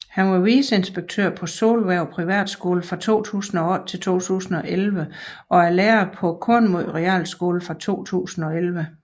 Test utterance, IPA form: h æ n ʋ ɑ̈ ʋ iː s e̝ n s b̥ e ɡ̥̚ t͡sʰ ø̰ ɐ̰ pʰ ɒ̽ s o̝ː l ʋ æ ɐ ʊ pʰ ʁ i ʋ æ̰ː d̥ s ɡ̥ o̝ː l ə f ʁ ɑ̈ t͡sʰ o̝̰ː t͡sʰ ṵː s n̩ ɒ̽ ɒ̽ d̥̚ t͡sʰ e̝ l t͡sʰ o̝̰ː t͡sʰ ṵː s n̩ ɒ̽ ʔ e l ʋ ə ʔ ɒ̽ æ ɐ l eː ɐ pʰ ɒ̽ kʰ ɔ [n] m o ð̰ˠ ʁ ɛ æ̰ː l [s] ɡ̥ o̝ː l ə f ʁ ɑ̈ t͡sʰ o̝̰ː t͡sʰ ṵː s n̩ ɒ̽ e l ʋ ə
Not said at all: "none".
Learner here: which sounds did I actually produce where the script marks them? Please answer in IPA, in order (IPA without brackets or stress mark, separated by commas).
n, s